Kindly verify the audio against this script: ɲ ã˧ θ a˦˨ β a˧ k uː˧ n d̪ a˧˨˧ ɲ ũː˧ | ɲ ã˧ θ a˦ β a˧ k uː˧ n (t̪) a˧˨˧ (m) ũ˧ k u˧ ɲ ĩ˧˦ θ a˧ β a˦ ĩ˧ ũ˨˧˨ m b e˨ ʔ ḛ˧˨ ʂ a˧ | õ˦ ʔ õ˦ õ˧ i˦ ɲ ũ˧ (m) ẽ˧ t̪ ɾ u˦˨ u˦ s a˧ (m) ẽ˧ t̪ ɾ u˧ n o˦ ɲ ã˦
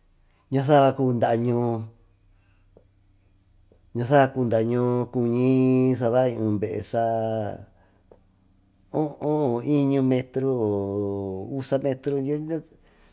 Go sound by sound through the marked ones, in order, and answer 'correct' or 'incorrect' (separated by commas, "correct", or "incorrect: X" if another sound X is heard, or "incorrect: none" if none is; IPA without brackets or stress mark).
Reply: incorrect: d̪, incorrect: ɲ, correct, correct